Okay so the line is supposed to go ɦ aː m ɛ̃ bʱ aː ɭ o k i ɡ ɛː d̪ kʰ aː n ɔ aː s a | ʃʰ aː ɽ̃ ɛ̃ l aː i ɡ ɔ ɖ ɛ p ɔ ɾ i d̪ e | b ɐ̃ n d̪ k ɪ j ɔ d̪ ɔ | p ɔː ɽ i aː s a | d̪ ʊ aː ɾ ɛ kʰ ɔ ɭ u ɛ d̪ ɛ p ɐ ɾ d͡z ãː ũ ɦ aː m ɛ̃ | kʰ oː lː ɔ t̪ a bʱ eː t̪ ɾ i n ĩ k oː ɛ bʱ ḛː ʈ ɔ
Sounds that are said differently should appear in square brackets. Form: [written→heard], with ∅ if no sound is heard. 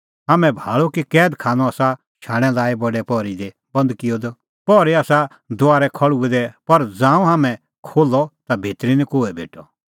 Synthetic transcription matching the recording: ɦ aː m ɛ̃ bʱ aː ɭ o k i [ɡ→k] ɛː d̪ kʰ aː n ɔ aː s a | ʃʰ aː ɽ̃ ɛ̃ l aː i [ɡ→b] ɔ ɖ ɛ p ɔ ɾ i d̪ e | b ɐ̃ n d̪ k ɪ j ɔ d̪ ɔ | p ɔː [ɽ→ɾ] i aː s a | d̪ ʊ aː ɾ ɛ kʰ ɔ ɭ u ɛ d̪ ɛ p ɐ ɾ d͡z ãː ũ ɦ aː m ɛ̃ | kʰ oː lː ɔ t̪ a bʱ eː t̪ ɾ i n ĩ k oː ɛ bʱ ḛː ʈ ɔ